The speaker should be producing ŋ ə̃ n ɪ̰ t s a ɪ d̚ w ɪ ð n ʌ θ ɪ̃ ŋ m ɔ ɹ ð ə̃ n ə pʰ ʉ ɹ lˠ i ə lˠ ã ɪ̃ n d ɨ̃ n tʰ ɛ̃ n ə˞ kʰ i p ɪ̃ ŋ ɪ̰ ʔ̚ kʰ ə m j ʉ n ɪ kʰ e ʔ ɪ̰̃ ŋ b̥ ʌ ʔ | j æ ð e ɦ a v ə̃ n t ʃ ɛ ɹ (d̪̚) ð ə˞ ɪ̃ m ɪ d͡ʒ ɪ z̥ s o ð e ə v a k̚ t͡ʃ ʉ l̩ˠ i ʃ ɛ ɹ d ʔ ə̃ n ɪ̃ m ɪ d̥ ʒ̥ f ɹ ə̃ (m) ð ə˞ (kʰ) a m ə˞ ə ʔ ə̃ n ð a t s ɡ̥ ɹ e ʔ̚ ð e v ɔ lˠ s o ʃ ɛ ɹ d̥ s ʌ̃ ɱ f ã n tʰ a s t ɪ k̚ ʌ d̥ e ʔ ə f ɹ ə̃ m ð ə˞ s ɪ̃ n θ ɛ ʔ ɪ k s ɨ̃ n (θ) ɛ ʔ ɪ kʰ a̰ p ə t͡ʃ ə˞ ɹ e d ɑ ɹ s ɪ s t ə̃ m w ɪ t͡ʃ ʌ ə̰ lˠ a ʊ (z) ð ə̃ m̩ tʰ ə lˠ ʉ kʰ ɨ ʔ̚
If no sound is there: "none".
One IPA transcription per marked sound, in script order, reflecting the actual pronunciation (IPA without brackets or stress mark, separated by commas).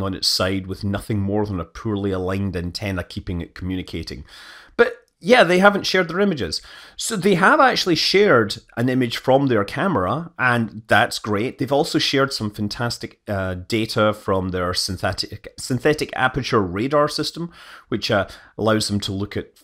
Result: d̪̚, m, kʰ, θ, z